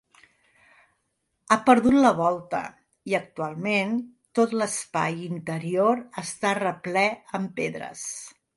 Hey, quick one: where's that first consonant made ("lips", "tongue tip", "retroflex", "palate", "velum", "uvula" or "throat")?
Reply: lips